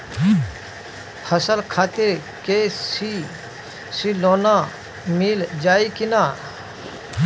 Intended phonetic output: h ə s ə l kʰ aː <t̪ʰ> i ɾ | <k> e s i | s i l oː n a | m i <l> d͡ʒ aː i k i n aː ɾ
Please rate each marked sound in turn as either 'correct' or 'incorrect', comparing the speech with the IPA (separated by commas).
incorrect, correct, correct